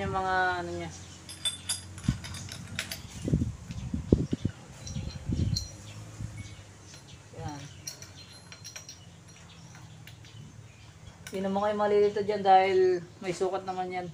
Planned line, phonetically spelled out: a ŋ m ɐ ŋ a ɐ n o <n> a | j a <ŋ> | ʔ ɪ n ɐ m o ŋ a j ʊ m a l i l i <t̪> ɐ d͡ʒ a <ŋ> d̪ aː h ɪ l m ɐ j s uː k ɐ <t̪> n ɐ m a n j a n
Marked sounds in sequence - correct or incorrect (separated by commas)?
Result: incorrect, incorrect, correct, incorrect, correct